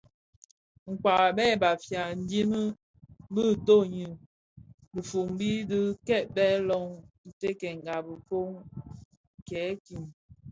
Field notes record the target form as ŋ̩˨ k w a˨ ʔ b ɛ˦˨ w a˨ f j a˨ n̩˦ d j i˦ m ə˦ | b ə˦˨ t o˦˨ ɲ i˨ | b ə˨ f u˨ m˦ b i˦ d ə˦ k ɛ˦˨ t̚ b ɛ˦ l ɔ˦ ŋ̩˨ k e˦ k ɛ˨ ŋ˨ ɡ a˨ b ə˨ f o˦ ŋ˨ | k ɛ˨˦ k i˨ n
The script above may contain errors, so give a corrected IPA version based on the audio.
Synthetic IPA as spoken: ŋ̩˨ k w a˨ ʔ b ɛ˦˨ b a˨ f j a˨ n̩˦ d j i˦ m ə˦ | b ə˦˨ t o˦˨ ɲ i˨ | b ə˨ f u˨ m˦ b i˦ d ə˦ k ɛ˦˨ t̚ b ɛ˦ l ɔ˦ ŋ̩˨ t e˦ k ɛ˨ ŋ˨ ɡ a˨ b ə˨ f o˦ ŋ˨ | k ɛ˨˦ k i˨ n